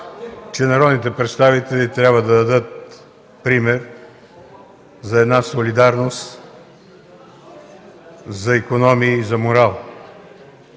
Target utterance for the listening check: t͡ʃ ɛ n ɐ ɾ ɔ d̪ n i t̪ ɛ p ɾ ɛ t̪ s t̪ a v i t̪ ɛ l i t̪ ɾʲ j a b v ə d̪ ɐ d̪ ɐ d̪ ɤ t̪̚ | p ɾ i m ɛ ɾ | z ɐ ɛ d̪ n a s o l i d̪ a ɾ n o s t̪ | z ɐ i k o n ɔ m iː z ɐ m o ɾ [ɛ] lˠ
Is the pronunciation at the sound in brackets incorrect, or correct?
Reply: incorrect